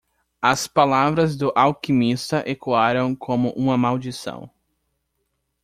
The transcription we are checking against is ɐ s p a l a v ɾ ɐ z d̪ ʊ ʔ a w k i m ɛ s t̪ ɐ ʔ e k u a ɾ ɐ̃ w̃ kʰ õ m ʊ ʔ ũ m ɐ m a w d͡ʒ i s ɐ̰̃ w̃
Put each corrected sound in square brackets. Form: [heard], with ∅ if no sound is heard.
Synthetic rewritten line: ɐ s p a l a v ɾ ɐ z d̪ ʊ ʔ a w k i m [i] s t̪ ɐ ʔ e k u a ɾ ɐ̃ w̃ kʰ õ m ʊ ʔ ũ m ɐ m a w d͡ʒ i s ɐ̰̃ w̃